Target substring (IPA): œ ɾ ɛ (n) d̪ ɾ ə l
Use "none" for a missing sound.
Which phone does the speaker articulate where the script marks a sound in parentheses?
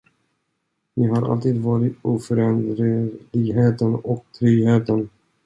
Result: n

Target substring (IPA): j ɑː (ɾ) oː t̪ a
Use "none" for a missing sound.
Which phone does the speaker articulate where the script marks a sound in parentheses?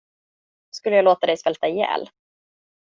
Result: l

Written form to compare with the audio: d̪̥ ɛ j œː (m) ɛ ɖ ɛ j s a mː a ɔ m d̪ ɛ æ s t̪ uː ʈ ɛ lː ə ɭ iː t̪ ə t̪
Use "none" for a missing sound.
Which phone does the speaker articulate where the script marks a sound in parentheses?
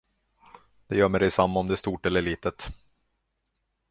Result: m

